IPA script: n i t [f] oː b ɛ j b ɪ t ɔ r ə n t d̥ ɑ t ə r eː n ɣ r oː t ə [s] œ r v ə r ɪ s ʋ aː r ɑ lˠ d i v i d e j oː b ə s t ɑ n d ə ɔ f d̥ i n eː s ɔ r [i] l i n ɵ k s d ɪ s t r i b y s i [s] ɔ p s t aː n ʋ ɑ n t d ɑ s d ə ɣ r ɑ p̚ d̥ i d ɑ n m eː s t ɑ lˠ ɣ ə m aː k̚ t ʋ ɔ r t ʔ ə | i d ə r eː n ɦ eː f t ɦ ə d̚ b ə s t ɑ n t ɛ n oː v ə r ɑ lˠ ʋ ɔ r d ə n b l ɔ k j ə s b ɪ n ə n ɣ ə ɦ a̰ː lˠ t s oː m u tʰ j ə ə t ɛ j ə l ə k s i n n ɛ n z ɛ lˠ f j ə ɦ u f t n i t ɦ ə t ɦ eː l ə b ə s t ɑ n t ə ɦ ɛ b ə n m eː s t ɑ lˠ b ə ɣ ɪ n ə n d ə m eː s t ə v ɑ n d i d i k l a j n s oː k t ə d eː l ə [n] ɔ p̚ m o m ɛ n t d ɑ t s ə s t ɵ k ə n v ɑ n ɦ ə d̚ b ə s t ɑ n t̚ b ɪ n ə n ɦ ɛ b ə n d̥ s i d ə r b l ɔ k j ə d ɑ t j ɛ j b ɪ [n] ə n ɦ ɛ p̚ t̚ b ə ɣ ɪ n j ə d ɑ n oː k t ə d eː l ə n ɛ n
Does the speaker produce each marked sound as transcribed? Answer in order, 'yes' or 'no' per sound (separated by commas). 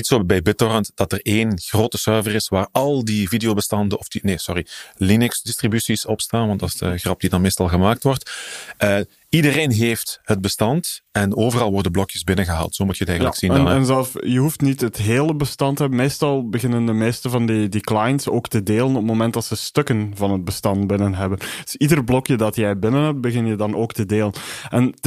no, yes, yes, yes, yes, yes